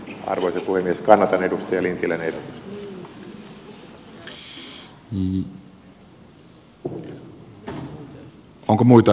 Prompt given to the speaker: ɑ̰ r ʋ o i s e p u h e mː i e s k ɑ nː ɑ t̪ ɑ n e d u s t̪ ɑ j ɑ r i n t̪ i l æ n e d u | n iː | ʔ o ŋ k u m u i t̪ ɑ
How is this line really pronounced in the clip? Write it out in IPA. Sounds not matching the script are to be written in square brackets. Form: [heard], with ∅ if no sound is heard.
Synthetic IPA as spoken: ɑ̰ r ʋ o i s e p u h e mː i e s k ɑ nː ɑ t̪ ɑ n e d u s t̪ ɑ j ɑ [l] i n t̪ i l æ n e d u | n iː | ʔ o ŋ k [o] m u i t̪ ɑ